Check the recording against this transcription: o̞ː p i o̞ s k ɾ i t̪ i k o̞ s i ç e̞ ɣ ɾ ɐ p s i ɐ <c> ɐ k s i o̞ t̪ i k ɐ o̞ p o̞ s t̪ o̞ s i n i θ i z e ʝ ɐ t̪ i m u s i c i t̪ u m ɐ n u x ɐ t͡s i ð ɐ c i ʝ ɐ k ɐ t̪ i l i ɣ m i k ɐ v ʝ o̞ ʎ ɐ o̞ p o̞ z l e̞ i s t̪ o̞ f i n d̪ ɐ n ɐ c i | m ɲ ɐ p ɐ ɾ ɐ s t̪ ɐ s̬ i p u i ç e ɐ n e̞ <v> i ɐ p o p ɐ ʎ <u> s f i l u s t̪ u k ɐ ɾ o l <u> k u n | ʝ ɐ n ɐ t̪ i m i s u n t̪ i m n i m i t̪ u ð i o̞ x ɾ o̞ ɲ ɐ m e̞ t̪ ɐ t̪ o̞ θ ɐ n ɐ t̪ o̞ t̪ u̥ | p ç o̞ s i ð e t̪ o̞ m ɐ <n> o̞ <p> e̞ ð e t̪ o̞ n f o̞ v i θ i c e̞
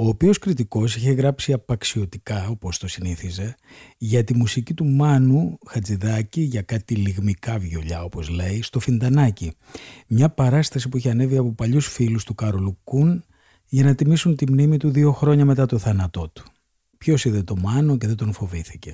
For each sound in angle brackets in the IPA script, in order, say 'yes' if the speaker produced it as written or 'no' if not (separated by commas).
no, yes, yes, yes, yes, no